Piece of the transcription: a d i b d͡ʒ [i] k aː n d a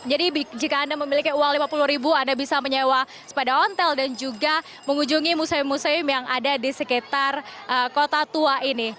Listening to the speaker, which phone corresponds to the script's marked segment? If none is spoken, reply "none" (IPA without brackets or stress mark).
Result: i